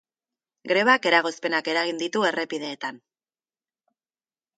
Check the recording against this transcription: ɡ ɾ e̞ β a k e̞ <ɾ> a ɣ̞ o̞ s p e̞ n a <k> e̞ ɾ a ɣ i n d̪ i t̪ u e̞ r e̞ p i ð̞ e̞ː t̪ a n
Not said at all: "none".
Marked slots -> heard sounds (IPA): ɾ, k

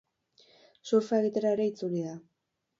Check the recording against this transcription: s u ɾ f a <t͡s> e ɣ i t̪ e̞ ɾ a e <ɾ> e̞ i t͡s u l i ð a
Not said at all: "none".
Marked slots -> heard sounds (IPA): none, ɾ

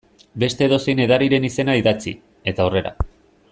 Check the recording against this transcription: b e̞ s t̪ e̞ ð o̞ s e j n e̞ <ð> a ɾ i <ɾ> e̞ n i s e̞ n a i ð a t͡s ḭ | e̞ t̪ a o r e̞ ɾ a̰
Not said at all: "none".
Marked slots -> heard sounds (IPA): ð, ɾ

